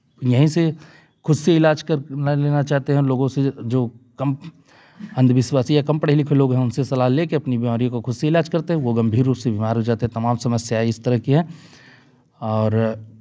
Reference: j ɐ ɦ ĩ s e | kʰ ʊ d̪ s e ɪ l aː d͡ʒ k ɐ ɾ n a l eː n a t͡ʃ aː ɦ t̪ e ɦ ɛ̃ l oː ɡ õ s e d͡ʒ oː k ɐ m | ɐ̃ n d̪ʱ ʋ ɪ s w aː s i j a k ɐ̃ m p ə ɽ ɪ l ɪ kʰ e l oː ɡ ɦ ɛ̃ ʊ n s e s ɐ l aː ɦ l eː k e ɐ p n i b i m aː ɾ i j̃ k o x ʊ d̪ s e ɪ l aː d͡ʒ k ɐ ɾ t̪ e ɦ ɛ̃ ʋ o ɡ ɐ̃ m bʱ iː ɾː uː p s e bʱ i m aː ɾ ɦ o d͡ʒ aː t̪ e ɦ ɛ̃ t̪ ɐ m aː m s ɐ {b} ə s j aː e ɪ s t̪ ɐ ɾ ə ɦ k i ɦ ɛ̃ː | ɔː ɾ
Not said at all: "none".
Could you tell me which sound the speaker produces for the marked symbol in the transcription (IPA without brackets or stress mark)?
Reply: m